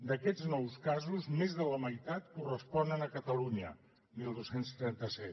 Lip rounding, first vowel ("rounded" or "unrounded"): unrounded